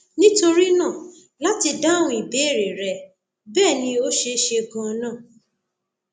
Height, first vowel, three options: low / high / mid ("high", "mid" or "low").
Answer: high